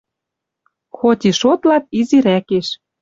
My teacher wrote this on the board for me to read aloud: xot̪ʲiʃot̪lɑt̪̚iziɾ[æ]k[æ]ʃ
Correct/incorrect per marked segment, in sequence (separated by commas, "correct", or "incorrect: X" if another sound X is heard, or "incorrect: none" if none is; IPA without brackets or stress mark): correct, incorrect: e